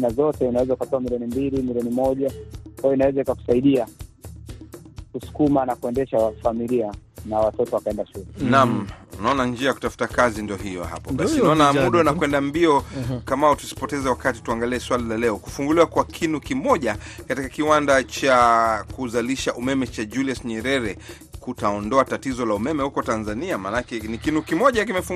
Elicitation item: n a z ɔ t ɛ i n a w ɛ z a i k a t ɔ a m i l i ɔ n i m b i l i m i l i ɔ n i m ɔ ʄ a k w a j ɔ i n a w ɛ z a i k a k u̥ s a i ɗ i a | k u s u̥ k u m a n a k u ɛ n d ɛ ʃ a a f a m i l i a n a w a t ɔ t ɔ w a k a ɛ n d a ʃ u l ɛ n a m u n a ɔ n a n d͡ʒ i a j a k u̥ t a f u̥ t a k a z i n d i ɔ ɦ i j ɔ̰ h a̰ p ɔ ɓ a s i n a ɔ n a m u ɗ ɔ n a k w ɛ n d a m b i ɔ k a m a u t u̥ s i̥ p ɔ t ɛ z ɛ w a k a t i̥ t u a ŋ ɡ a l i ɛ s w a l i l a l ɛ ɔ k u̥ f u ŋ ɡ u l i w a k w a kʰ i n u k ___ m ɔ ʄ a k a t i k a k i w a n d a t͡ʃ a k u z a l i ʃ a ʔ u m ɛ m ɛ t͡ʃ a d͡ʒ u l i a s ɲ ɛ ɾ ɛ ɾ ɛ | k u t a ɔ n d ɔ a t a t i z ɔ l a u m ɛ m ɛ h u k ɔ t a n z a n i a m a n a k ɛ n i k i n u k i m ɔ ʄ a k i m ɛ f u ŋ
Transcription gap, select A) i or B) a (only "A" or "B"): A